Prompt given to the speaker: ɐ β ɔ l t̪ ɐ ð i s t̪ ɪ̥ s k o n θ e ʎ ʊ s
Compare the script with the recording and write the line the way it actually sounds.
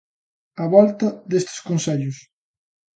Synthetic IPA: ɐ β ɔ l t̪ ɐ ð e s t̪ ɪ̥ s k o n s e ʎ ʊ s